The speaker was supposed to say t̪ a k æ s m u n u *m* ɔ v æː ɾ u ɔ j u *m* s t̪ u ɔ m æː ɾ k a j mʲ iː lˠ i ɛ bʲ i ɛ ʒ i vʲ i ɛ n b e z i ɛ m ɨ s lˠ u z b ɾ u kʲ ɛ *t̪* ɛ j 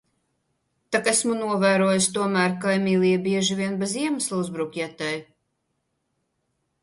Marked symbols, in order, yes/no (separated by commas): no, no, yes